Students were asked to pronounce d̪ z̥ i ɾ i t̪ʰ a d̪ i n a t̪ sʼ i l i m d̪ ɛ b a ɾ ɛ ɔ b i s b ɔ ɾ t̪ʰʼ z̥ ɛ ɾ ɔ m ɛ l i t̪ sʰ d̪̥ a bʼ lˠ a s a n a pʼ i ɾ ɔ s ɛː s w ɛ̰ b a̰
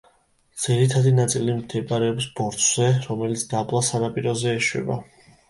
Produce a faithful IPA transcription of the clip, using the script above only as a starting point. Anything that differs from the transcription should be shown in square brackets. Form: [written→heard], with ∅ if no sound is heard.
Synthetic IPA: d̪ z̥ i ɾ i t̪ʰ a d̪ i n a t̪ sʼ i l i m d̪ ɛ b a ɾ ɛ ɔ b i s b ɔ ɾ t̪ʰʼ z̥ ɛ ɾ ɔ m ɛ l i t̪ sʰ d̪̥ a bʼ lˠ a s a n a pʼ i ɾ ɔ [s→z] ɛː [s→ʃ] w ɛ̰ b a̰

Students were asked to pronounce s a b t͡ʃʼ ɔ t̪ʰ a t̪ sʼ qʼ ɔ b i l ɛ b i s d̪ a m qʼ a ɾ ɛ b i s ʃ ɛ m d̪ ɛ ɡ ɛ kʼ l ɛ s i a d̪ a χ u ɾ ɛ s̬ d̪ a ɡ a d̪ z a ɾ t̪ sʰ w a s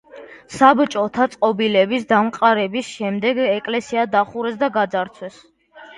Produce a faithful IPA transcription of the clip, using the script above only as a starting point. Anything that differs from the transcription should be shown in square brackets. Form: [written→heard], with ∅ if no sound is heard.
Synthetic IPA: s a b t͡ʃʼ ɔ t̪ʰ a t̪ sʼ qʼ ɔ b i l ɛ b i s d̪ a m qʼ a ɾ ɛ b i s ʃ ɛ m d̪ ɛ ɡ ɛ kʼ l ɛ s i a d̪ a χ u ɾ ɛ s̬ d̪ a ɡ a d̪ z a ɾ t̪ sʰ w [a→ɛ] s

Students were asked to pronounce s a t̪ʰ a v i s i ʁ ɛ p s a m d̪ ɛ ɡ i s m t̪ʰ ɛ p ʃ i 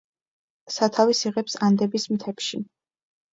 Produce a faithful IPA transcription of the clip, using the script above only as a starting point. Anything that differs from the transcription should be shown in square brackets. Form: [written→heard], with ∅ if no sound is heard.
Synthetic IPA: s a t̪ʰ a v i s i ʁ ɛ p s a [m→n] d̪ ɛ [ɡ→b] i s m t̪ʰ ɛ p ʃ i

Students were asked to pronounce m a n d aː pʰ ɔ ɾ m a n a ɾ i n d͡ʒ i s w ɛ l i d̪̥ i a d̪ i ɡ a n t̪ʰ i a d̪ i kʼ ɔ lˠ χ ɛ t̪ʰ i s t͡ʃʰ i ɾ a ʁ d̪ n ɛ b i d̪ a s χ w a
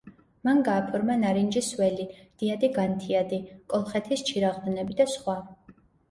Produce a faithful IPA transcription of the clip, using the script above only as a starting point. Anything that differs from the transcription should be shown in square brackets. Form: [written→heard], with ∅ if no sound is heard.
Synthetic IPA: m a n [d→ɡ] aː pʰ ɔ ɾ m a n a ɾ i n d͡ʒ i s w ɛ l i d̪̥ i a d̪ i ɡ a n t̪ʰ i a d̪ i kʼ ɔ lˠ χ ɛ t̪ʰ i s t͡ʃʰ i ɾ a ʁ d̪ n ɛ b i d̪ a s χ w a

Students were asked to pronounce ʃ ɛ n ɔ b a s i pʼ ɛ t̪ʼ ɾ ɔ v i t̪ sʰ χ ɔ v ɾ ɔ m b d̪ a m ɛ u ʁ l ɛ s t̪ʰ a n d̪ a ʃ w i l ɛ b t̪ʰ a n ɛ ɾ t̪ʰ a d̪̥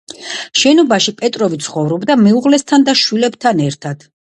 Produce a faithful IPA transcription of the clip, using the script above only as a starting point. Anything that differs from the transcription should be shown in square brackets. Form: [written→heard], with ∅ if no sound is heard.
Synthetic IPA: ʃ ɛ n ɔ b a [s→ʃ] i pʼ ɛ t̪ʼ ɾ ɔ v i t̪ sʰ χ ɔ v ɾ ɔ [m→∅] b d̪ a m ɛ u ʁ l ɛ s t̪ʰ a n d̪ a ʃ w i l ɛ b t̪ʰ a n ɛ ɾ t̪ʰ a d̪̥

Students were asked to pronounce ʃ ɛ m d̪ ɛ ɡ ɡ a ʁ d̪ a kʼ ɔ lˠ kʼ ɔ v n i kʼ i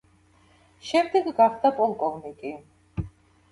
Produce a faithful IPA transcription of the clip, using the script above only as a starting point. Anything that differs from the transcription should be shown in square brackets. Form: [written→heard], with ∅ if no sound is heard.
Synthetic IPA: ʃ ɛ m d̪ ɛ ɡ ɡ a [ʁ→χ] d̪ a [kʼ→pʼ] ɔ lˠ kʼ ɔ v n i kʼ i

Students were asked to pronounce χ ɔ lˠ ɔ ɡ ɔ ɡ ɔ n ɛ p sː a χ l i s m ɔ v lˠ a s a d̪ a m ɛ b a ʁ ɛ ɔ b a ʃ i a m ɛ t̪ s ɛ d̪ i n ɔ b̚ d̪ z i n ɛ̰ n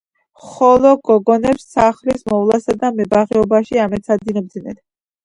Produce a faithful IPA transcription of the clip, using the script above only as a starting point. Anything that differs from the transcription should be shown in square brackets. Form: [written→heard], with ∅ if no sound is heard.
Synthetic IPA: χ ɔ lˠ ɔ ɡ ɔ ɡ ɔ n ɛ p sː a χ l i s m ɔ v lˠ a s a d̪ a m ɛ b a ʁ ɛ ɔ b a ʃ i a m ɛ t̪ s [ɛ→a] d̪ i n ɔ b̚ d̪ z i n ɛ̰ n

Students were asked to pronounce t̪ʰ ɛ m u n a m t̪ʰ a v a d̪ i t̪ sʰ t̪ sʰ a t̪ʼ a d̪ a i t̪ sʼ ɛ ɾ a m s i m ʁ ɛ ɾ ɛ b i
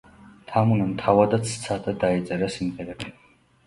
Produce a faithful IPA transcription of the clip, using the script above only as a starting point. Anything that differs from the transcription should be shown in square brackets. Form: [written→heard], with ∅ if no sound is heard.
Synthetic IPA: t̪ʰ [ɛ→a] m u n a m t̪ʰ a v a d̪ [i→a] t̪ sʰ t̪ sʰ a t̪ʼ a d̪ a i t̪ sʼ ɛ ɾ a [m→∅] s i m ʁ ɛ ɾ ɛ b i

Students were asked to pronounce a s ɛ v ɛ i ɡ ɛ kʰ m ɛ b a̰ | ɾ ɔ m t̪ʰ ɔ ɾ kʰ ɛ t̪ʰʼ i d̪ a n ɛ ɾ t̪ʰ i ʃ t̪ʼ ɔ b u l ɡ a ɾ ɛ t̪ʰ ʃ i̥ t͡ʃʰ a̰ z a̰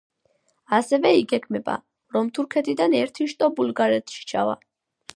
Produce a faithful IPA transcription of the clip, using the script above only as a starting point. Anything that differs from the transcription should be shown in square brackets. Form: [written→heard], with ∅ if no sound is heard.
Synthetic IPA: a s ɛ v ɛ i ɡ ɛ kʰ m ɛ b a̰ | ɾ ɔ m t̪ʰ [ɔ→u] ɾ kʰ ɛ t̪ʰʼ i d̪ a n ɛ ɾ t̪ʰ i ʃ t̪ʼ ɔ b u l ɡ a ɾ ɛ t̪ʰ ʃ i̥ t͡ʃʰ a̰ [z→v] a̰

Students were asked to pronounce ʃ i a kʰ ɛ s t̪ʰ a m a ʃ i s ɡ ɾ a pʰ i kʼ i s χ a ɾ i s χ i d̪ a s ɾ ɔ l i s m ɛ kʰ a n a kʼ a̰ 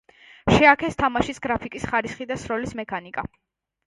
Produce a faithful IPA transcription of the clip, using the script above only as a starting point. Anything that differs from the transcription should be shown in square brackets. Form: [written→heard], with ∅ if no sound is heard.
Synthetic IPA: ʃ [i→ɛ] a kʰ ɛ s t̪ʰ a m a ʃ i s ɡ ɾ a pʰ i kʼ i s χ a ɾ i s χ i d̪ a s ɾ ɔ l i s m ɛ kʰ a n [a→i] kʼ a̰

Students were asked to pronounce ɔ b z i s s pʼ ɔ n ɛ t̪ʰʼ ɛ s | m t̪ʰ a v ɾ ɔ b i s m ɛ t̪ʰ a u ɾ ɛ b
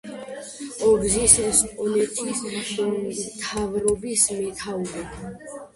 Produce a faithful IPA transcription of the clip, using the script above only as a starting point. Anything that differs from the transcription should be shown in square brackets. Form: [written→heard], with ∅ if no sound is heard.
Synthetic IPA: ɔ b z i s s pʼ ɔ n ɛ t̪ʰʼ [ɛ→i] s | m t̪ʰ a v ɾ ɔ b i s m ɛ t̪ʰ a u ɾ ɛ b

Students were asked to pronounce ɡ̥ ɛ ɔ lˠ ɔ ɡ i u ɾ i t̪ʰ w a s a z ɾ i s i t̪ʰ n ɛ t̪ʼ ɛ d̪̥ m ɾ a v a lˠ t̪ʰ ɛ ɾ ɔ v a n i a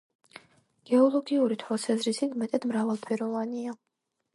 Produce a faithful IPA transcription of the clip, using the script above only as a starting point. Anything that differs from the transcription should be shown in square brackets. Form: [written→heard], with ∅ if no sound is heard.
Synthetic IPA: ɡ̥ ɛ ɔ lˠ ɔ ɡ i u ɾ i t̪ʰ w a s a z ɾ i s i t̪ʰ [n→m] ɛ t̪ʼ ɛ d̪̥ m ɾ a v a lˠ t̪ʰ ɛ ɾ ɔ v a n i a

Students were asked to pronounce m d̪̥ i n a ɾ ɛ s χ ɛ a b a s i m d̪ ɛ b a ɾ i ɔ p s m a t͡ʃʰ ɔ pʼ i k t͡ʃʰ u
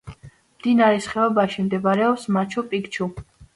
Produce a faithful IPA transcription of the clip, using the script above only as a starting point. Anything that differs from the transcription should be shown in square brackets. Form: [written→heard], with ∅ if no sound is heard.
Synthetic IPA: m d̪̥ i n a ɾ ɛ s χ ɛ a b a [s→ʃ] i m d̪ ɛ b a ɾ [i→ɛ] ɔ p s m a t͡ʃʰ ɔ pʼ i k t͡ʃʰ u

